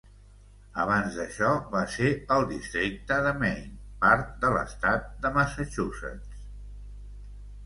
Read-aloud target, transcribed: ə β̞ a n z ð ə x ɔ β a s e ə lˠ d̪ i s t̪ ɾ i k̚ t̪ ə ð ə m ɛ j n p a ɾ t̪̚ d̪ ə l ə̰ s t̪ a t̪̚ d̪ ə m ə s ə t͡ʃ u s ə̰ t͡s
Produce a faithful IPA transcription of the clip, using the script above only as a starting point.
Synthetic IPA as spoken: ə β̞ a n z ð ə ʃ ɔ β a s e ə lˠ d̪ i s t̪ ɾ i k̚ t̪ ə ð ə m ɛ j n p a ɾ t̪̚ d̪ ə l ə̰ s t̪ a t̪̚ d̪ ə m ə s ə t͡ʃ u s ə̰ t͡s